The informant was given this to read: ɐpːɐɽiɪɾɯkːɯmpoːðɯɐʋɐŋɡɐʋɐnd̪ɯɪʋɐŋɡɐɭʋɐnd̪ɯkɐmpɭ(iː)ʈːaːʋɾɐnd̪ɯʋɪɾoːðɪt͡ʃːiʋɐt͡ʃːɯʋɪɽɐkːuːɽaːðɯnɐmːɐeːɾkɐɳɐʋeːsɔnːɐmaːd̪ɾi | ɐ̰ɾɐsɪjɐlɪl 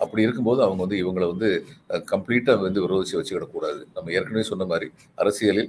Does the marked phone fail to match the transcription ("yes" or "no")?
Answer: no